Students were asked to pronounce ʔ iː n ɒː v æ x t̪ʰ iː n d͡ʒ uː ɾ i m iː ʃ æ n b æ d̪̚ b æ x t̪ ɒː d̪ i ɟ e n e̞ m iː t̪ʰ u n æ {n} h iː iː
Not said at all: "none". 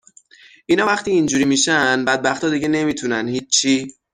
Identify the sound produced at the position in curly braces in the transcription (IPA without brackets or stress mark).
n